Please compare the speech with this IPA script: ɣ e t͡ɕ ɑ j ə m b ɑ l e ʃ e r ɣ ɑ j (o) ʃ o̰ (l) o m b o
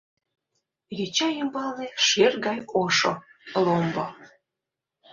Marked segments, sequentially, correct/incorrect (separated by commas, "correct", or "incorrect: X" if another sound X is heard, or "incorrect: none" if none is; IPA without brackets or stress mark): correct, correct